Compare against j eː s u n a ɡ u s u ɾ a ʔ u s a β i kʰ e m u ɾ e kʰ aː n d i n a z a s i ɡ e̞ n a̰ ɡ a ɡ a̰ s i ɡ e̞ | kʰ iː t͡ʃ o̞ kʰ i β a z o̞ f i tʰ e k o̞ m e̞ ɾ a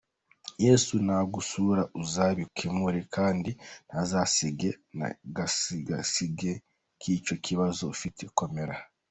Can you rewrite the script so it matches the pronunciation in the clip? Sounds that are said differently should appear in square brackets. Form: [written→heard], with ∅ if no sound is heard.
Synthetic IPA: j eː s u n a ɡ u s u ɾ a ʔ u [s→z] a β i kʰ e m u ɾ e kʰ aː n d i n a z a s i ɡ e̞ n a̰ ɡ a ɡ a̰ s i ɡ e̞ | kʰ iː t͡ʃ o̞ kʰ i β a z o̞ f i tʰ e k o̞ m e̞ ɾ a